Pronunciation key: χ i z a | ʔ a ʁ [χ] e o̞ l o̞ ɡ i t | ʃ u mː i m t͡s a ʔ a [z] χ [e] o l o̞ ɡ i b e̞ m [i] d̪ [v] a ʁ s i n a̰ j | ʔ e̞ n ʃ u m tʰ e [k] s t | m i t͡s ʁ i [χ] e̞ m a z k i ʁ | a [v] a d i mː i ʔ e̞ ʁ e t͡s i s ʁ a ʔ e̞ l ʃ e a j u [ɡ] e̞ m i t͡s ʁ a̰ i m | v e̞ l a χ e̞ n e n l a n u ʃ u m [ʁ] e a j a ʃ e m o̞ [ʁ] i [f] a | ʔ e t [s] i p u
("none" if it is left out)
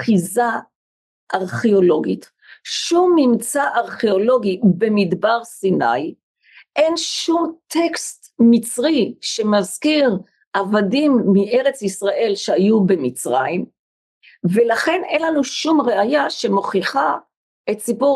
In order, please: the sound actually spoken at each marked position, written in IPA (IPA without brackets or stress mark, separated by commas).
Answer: χ, ʁ, e, i, b, k, ʃ, v, b, ʁ, χ, χ, s